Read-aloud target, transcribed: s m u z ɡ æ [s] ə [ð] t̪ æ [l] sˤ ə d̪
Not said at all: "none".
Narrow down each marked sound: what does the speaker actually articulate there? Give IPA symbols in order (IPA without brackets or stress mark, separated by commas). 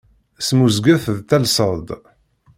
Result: θ, ð, l